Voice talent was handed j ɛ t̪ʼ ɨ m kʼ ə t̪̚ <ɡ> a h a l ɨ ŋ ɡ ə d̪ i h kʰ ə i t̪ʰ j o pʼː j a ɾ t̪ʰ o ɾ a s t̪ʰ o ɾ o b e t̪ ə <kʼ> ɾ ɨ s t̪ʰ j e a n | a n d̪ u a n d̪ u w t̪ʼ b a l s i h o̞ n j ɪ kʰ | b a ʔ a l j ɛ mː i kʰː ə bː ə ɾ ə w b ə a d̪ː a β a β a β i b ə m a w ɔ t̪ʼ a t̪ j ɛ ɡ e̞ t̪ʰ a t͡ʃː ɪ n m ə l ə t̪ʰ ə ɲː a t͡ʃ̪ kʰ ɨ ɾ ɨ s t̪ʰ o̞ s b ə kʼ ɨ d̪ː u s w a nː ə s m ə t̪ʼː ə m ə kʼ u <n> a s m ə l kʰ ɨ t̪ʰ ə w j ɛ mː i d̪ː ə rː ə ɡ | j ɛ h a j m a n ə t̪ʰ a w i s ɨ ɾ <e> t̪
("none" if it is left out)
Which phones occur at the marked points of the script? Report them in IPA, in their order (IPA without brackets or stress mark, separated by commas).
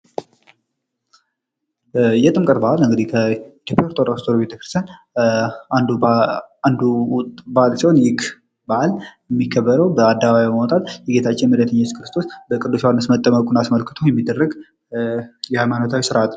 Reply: b, k, n, a